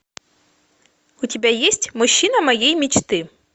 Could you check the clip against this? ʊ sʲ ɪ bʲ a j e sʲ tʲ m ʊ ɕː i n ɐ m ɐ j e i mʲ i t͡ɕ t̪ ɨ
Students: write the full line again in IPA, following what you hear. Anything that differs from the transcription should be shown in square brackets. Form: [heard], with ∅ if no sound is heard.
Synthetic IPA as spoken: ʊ [tʲ] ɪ bʲ a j e sʲ tʲ m ʊ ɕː i n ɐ m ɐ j e [j] mʲ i t͡ɕ t̪ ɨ